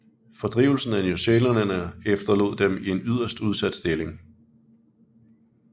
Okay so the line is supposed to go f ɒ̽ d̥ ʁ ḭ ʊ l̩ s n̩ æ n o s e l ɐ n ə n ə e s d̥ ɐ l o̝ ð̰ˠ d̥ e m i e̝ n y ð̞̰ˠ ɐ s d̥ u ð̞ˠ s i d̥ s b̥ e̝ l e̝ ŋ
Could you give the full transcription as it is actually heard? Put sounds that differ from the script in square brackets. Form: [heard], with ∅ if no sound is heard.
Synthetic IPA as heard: f ɒ̽ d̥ ʁ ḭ ʊ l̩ s n̩ æ n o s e l ɐ n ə n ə e [f] d̥ ɐ l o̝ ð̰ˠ d̥ e m i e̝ n y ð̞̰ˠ ɐ s d̥ u ð̞ˠ s [æ] d̥ s [d̥] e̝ l e̝ ŋ